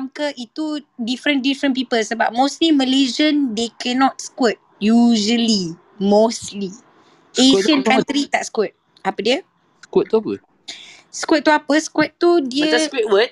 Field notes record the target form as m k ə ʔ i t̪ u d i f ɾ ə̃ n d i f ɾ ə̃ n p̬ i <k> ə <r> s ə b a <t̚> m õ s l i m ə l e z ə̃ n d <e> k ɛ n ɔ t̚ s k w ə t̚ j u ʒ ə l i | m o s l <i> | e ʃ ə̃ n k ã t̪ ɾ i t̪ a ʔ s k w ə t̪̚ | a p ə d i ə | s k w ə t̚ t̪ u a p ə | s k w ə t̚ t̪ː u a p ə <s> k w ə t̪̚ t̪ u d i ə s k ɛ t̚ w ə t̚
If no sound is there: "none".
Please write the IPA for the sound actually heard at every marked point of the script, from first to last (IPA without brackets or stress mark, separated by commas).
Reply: p, l, p̚, e, i, s